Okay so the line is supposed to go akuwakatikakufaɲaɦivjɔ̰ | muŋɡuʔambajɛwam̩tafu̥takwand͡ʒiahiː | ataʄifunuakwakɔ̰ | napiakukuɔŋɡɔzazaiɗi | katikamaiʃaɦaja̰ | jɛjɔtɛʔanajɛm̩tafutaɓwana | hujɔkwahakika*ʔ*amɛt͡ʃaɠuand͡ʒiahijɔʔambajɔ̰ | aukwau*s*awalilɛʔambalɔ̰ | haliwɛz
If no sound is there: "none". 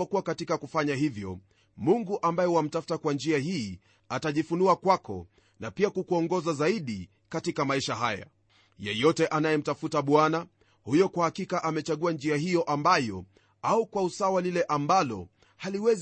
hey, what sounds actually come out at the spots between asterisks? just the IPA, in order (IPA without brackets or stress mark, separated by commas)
ʔ, s